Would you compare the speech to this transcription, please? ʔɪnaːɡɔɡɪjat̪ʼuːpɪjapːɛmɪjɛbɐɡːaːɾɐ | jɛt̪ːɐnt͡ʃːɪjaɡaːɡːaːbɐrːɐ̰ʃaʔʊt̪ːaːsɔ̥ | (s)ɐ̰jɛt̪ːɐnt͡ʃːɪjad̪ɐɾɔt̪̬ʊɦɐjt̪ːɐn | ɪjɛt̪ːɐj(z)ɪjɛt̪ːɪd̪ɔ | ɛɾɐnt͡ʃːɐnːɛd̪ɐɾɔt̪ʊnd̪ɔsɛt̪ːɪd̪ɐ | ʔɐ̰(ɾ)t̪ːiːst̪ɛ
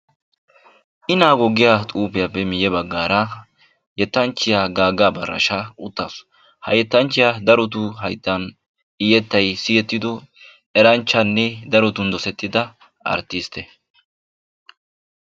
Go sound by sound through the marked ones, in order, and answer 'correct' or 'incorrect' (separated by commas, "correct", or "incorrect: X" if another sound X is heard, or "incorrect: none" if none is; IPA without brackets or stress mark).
incorrect: h, incorrect: s, correct